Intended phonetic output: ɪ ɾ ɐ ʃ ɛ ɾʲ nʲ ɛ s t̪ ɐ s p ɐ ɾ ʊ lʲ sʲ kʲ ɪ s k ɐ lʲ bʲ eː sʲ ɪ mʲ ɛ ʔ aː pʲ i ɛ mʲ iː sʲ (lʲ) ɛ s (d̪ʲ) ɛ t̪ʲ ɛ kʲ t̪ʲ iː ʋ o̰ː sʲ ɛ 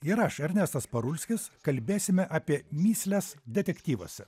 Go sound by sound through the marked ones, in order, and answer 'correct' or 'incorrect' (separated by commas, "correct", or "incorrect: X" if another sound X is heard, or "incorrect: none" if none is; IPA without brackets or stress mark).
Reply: correct, correct